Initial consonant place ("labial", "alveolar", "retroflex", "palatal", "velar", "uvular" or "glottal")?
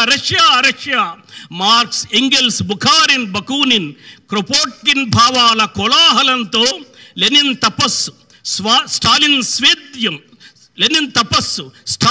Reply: alveolar